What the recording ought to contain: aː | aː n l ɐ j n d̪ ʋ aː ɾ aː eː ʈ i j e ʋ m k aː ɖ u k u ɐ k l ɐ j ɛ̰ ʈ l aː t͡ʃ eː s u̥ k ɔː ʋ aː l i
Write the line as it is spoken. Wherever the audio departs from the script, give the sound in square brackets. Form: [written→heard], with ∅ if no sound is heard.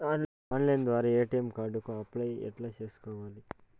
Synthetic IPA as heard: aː | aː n l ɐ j n d̪ ʋ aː ɾ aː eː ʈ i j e [ʋ→∅] m k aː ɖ u k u ɐ [k→p] l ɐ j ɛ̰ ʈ l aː t͡ʃ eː s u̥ k ɔː ʋ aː l i